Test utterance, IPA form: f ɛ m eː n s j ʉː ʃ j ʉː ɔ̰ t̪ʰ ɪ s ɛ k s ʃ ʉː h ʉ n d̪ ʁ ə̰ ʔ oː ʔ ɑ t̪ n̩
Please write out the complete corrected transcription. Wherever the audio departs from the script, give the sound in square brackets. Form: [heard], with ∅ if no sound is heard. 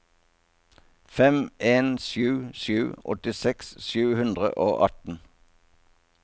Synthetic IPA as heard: f ɛ m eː n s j ʉː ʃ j ʉː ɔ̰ [t̪] ɪ s ɛ k s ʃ ʉː h ʉ n d̪ ʁ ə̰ ʔ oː ʔ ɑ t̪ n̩